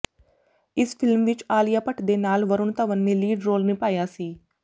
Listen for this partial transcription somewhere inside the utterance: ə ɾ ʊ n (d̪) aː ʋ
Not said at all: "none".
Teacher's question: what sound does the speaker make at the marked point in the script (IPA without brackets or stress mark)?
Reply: t̪